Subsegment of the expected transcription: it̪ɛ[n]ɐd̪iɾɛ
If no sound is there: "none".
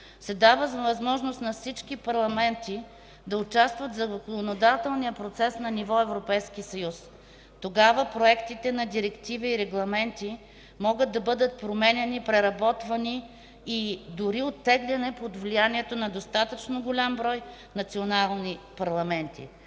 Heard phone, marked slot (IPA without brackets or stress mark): n